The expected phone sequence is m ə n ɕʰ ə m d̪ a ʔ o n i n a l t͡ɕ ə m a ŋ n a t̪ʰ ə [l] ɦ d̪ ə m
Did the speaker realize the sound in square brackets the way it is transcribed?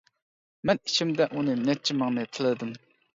yes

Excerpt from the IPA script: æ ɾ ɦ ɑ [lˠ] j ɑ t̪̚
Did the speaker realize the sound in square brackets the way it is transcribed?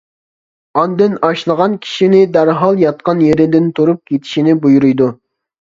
yes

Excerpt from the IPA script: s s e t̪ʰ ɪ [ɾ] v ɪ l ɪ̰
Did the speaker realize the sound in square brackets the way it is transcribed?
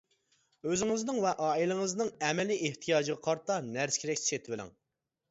no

